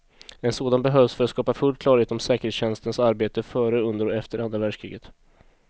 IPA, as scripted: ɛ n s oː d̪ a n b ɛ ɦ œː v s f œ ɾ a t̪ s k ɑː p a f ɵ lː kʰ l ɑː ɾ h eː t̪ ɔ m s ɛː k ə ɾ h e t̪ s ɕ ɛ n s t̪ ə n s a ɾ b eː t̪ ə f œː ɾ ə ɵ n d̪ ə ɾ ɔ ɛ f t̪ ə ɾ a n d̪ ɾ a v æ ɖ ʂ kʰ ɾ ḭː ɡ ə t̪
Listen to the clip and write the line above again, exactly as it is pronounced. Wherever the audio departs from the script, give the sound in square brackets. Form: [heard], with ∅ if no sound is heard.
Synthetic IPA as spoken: ɛ n s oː d̪ a n b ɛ ɦ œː v s f œ ɾ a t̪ s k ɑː p a f ɵ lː kʰ l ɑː ɾ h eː t̪ ɔ m s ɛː k ə ɾ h e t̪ s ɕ ɛ n s t̪ ə n s a ɾ b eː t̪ ə f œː ɾ ə ɵ n d̪ ə ɾ ɔ ɛ f t̪ ə ɾ a n d̪ ɾ a v æ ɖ ʂ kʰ ɾ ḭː ɡ ə t̪